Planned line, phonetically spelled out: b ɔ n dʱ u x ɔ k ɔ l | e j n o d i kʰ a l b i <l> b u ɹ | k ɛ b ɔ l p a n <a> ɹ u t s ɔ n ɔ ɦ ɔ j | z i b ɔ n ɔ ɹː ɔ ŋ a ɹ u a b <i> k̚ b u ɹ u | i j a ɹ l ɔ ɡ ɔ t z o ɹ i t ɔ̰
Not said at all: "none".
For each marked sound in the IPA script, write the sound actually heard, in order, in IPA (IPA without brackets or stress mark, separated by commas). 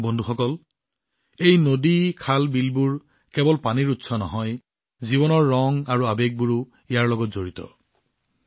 l, i, e